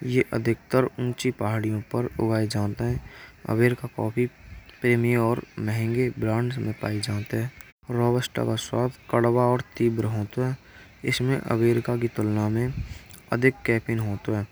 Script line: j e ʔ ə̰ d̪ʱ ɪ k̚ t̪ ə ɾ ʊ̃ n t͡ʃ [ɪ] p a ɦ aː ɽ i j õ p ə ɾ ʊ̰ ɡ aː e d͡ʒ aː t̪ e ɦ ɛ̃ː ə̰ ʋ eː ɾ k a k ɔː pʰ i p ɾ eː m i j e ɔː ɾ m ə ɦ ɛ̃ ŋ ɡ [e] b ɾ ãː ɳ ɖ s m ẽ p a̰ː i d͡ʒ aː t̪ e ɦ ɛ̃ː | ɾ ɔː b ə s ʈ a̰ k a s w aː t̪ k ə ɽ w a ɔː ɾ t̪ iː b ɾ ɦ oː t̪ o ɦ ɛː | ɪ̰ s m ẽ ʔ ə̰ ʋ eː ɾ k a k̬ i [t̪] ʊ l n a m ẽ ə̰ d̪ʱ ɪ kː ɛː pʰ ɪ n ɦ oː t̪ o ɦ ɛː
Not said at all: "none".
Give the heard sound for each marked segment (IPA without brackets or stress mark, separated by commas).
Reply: i, e, t̪